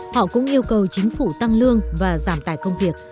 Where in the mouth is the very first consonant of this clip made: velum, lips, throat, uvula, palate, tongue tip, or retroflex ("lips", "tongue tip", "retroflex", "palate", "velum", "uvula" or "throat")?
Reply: throat